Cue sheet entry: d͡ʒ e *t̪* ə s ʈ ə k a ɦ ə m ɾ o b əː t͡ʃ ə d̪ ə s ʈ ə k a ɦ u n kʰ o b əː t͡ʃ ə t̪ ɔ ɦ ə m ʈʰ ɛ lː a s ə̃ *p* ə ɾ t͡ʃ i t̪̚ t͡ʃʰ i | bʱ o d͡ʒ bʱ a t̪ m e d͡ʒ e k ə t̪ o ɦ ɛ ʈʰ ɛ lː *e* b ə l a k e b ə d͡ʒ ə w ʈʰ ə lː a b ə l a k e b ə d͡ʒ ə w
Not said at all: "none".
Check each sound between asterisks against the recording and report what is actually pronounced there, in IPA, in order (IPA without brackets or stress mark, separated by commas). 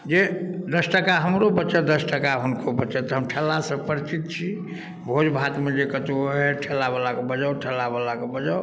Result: d̪, p, a